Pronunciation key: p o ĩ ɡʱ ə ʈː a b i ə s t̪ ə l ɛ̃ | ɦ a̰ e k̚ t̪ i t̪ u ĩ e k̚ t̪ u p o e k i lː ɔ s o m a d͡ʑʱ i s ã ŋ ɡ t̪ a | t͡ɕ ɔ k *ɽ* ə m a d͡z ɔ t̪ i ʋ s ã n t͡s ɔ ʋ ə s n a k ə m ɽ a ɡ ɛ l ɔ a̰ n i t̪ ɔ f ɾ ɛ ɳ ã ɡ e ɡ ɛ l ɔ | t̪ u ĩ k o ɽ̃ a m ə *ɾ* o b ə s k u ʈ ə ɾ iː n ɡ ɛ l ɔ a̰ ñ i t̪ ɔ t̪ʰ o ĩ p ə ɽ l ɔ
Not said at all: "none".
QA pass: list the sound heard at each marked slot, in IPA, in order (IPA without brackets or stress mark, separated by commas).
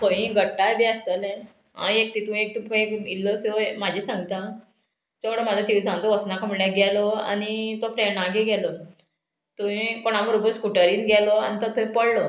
ɽ, ɾ